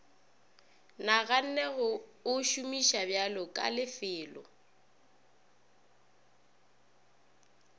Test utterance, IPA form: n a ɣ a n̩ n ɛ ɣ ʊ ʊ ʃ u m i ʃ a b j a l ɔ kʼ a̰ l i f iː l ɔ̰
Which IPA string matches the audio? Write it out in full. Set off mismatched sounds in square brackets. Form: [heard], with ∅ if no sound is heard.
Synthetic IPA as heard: n a ɣ a n̩ n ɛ ɣ ʊ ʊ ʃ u m i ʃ a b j a l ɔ kʼ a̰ l [ɪ] f [ɪː] l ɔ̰